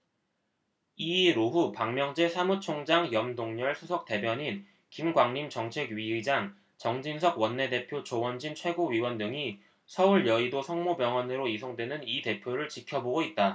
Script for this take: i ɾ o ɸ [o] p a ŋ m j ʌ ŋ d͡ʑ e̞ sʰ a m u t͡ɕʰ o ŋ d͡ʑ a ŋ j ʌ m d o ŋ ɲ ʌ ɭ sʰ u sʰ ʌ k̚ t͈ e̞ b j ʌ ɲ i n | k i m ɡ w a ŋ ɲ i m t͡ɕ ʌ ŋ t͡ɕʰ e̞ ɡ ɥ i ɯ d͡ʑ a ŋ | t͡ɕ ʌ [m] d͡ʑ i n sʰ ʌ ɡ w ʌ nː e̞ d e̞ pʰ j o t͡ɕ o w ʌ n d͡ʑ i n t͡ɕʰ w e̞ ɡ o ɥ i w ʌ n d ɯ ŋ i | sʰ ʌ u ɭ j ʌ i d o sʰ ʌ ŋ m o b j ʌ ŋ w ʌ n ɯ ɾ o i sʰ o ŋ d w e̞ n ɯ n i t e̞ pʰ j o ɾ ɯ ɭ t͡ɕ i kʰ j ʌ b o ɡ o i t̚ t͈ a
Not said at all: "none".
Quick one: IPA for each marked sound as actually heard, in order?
u, ŋ

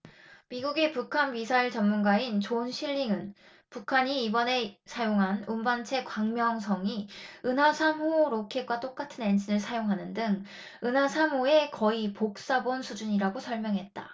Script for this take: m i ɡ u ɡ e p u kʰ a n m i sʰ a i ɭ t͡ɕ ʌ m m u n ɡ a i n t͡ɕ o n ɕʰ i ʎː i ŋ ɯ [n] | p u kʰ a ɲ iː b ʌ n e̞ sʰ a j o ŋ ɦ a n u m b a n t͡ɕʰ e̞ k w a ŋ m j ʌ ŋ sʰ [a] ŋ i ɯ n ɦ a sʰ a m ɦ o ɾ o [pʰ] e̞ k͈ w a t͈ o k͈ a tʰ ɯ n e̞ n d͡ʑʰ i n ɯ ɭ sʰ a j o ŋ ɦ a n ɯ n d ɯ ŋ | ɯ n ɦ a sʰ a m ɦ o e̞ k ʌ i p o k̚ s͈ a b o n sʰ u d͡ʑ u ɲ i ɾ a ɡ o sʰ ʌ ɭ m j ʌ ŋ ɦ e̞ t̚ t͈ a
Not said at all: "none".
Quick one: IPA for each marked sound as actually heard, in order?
n, ʌ, kʰ

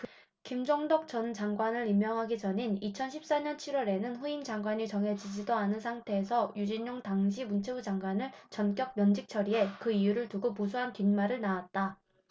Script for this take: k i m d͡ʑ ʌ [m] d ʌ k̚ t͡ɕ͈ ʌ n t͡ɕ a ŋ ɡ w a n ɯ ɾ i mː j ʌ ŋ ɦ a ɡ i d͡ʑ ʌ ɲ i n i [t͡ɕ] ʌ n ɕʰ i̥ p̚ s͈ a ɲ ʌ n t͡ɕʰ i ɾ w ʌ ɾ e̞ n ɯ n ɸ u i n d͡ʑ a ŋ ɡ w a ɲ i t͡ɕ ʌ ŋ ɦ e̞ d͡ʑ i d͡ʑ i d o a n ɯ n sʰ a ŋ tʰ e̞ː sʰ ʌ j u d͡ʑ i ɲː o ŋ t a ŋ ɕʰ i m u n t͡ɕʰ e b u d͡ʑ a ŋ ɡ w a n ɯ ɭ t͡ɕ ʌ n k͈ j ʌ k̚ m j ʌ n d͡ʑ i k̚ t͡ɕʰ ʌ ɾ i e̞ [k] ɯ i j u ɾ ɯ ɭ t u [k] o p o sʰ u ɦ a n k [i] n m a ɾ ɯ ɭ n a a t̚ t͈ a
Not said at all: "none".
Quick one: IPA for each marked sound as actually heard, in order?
ŋ, t͡ɕʰ, k, ɡ, i

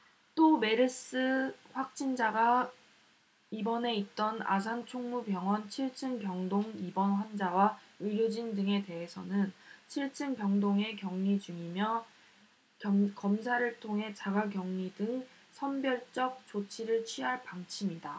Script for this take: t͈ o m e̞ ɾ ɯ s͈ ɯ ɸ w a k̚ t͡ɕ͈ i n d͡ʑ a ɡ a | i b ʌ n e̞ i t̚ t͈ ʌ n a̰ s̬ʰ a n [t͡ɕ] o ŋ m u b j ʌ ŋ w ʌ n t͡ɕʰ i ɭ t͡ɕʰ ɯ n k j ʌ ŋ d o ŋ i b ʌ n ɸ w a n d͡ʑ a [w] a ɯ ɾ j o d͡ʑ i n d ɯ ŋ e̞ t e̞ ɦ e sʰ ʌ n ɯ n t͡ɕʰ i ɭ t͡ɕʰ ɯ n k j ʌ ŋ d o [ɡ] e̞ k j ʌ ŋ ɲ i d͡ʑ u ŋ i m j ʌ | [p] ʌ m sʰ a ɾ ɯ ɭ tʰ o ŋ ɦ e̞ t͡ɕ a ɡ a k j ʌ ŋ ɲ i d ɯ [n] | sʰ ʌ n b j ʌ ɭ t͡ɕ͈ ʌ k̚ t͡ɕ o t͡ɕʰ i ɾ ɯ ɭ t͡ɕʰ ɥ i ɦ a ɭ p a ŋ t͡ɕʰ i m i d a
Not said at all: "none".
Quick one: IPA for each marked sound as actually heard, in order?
t͡ɕʰ, w, ŋ, k, ŋ

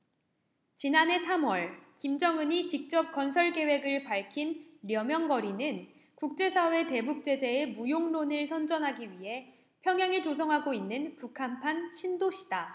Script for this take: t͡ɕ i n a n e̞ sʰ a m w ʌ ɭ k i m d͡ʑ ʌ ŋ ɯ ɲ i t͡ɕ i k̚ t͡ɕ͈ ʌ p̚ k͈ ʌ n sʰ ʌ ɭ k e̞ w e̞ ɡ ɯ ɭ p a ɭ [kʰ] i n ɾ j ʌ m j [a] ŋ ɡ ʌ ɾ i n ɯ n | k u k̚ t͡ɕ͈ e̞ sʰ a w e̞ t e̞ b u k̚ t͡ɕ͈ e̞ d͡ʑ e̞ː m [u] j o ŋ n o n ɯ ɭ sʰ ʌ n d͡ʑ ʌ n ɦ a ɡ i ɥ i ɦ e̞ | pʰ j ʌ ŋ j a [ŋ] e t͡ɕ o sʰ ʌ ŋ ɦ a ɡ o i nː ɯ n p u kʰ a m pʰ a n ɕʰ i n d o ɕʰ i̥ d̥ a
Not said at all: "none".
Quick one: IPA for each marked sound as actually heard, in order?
kʰ, ʌ, u, ŋ

